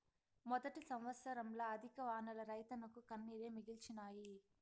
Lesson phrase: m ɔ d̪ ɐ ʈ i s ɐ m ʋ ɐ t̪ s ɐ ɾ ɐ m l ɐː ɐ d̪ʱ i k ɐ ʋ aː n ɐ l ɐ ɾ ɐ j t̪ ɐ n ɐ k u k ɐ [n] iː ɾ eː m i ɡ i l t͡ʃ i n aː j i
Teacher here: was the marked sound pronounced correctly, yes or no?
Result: no